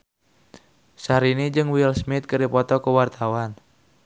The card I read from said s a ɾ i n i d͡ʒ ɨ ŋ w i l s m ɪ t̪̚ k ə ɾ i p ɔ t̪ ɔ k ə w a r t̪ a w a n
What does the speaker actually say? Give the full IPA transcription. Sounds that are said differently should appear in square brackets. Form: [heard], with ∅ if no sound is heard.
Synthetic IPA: s a ɾ i n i d͡ʒ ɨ ŋ w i l s m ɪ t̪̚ k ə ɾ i p ɔ t̪ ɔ k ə w a r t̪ a w a n